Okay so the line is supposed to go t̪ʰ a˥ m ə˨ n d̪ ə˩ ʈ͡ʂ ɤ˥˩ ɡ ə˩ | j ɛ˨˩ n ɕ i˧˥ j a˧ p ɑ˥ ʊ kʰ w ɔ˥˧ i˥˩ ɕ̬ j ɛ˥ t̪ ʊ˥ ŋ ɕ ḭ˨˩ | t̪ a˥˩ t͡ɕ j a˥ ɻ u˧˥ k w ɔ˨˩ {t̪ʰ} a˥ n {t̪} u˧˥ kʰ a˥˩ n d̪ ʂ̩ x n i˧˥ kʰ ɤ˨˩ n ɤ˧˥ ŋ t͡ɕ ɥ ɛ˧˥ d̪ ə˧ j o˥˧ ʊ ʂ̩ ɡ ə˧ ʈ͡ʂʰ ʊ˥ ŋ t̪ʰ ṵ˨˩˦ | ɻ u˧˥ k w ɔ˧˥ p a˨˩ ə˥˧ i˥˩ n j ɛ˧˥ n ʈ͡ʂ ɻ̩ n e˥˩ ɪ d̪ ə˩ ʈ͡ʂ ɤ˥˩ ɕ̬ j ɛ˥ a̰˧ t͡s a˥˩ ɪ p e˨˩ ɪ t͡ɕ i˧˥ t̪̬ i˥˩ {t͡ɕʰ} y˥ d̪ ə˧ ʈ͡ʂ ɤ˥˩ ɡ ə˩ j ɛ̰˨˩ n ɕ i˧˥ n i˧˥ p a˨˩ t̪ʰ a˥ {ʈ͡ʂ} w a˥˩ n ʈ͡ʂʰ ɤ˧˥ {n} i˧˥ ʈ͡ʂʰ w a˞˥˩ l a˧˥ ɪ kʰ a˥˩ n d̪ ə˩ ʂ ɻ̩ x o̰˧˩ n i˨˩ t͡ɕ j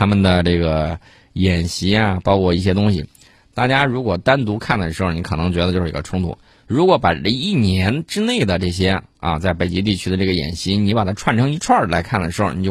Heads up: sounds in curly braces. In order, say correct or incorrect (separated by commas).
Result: incorrect, correct, correct, incorrect, incorrect